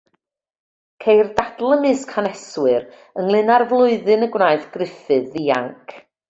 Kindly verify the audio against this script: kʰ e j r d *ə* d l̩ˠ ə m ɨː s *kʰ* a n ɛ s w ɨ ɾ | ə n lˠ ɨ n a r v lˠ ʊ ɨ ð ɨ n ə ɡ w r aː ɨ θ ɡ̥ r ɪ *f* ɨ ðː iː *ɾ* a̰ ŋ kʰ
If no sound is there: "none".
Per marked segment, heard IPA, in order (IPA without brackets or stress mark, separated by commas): a, kʰ, f, none